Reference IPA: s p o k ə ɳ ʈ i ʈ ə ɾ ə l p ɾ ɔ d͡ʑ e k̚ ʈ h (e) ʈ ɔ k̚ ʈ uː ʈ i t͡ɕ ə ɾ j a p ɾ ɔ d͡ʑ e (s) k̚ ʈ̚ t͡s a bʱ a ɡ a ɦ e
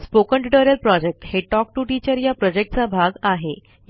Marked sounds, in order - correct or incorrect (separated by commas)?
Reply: correct, incorrect